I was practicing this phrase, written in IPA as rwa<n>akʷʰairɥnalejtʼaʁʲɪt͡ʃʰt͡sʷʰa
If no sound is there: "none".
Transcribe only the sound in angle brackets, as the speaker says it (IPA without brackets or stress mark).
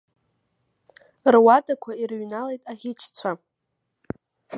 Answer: d